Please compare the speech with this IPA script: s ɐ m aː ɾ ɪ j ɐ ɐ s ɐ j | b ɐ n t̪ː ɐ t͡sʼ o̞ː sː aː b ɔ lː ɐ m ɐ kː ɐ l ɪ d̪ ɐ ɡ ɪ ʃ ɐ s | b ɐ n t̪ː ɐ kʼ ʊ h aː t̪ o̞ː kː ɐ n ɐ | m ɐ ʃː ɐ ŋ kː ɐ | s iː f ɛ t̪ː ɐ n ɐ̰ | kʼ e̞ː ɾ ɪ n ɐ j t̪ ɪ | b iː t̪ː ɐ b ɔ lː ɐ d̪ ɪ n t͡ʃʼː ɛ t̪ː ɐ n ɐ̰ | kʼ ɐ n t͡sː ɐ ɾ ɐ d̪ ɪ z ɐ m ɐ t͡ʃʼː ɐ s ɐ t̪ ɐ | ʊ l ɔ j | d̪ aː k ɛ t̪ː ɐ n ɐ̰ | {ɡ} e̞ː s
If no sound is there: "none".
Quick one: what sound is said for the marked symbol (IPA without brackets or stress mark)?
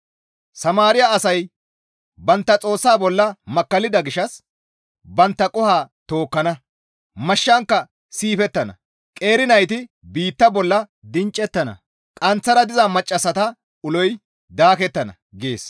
ɡ